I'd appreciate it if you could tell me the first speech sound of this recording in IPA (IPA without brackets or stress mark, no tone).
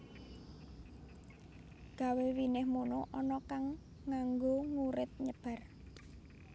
ɡ̥